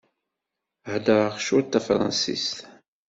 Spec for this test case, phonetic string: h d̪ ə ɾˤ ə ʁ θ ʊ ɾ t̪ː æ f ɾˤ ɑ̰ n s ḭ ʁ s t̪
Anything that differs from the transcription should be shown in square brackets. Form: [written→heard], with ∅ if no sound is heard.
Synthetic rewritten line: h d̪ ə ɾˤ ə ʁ [θ→ʃ] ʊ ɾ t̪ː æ f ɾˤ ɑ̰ n s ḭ [ʁ→∅] s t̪